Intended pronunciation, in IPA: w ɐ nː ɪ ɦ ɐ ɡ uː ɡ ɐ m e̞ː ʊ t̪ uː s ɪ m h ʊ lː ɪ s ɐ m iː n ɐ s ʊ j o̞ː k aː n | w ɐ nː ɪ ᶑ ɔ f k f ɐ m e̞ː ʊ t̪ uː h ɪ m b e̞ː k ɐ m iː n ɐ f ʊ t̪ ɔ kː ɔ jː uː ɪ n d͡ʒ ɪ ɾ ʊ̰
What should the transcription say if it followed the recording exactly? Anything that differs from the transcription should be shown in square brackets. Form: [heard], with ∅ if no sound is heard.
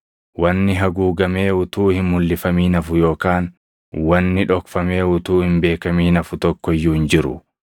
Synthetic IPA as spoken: w ɐ nː ɪ ɦ ɐ ɡ uː ɡ ɐ m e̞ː ʊ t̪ uː [h] ɪ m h ʊ lː ɪ [f] ɐ m iː n ɐ [f] ʊ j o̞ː k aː n | w ɐ nː ɪ ᶑ ɔ [∅] k f ɐ m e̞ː ʊ t̪ uː h ɪ m b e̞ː k ɐ m iː n ɐ f ʊ t̪ ɔ kː ɔ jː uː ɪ n d͡ʒ ɪ ɾ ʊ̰